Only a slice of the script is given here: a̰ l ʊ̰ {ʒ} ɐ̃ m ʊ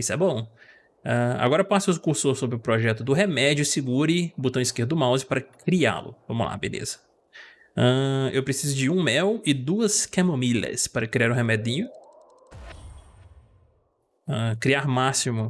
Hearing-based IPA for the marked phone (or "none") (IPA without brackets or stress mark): v